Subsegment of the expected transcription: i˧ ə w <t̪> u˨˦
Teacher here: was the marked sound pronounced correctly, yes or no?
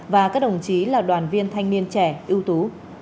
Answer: yes